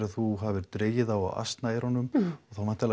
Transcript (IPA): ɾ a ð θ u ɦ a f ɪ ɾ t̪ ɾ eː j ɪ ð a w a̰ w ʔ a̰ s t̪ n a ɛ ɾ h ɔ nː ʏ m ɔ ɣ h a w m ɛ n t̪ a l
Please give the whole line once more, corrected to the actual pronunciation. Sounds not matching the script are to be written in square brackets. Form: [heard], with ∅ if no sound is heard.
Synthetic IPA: ɾ a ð θ u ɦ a [v] ɪ ɾ t̪ ɾ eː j ɪ ð a w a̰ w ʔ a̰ s t̪ n a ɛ ɾ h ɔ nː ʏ m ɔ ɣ [θ] a w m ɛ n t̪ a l